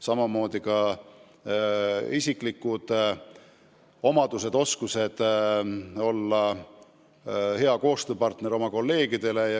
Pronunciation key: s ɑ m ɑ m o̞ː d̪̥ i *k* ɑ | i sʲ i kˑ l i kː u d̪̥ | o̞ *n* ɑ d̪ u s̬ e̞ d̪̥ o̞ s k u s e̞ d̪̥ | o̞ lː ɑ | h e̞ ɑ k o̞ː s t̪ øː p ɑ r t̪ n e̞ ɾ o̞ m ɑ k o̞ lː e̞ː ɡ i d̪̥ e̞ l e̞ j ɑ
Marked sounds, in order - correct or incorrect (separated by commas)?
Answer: correct, incorrect